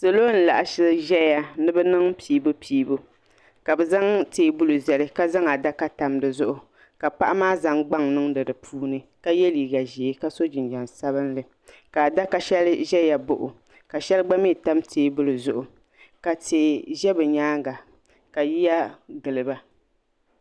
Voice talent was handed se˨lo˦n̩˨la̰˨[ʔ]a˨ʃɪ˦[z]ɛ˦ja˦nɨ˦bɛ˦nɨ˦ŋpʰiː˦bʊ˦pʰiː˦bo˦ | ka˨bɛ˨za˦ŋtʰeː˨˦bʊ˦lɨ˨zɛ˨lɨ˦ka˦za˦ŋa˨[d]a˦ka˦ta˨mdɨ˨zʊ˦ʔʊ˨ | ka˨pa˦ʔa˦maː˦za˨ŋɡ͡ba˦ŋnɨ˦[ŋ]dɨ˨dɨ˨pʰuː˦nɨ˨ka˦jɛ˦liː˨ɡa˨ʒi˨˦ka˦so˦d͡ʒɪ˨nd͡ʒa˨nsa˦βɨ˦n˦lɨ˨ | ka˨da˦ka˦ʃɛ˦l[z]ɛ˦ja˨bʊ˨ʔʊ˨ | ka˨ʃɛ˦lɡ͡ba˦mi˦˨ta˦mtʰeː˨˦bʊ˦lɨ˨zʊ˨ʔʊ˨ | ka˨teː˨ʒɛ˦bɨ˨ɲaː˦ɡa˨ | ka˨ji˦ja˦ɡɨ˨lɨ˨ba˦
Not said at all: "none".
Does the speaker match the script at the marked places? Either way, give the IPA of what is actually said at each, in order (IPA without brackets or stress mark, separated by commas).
ʔ, ʒ, d, ŋ, ʒ